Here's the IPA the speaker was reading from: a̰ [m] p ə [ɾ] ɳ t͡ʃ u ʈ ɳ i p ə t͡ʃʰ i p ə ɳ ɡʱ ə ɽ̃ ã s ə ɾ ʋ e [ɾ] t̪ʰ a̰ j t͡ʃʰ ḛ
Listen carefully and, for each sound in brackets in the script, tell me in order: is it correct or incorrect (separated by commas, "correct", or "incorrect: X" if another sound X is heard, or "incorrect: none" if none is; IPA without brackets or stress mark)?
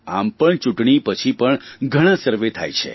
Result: correct, incorrect: none, incorrect: none